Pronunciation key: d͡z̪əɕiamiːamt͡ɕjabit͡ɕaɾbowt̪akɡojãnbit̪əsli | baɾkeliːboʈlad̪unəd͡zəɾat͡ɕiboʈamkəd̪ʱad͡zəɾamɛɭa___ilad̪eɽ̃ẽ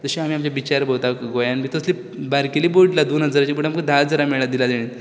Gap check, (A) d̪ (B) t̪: A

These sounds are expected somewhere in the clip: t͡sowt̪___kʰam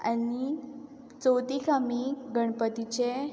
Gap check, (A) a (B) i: B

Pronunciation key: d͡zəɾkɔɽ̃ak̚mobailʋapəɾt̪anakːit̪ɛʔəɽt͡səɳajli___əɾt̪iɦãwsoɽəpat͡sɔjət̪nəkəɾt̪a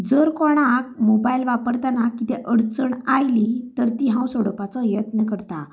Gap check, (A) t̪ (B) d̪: A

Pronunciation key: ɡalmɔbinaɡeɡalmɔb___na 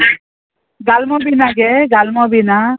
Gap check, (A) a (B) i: B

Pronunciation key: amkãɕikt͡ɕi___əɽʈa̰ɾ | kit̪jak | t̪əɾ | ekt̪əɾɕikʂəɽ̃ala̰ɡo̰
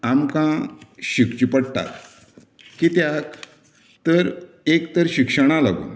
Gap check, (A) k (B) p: B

